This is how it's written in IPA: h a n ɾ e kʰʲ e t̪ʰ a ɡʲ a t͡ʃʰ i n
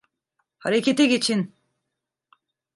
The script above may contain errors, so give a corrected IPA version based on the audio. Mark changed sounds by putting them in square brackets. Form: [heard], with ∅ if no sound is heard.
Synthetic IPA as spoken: h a [∅] ɾ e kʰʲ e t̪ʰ [e] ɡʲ [i] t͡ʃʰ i n